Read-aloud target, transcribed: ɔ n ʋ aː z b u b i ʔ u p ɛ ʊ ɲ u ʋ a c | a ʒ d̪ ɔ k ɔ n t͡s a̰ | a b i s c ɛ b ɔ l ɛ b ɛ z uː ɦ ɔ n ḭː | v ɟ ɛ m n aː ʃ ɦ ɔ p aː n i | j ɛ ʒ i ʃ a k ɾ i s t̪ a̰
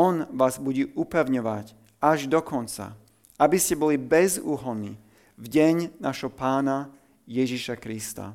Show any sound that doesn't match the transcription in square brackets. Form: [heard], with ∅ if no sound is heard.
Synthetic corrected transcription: ɔ n ʋ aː z b u [ɟ] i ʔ u p ɛ ʊ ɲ [ɔ] ʋ a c | a ʒ d̪ ɔ k ɔ n t͡s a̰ | a b i s c ɛ b ɔ l [i] b ɛ z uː ɦ ɔ n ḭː | v ɟ ɛ [ɲ] n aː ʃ ɦ ɔ p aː n [a] | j ɛ ʒ i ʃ a k ɾ i s t̪ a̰